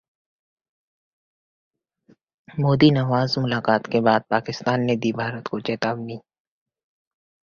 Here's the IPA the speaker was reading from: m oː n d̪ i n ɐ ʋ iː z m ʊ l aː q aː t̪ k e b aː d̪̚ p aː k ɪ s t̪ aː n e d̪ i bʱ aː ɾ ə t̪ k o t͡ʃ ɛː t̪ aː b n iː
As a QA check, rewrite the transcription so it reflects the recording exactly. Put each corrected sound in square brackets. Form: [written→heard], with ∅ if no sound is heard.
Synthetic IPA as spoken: m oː [n→∅] d̪ i n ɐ ʋ [iː→aː] z m ʊ l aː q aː t̪ k e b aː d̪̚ p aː k ɪ s t̪ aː [n→nː] e d̪ i bʱ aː ɾ ə t̪ k o t͡ʃ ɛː t̪ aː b n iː